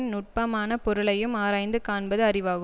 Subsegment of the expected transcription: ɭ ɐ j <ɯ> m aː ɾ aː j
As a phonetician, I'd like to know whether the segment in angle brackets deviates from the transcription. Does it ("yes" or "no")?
no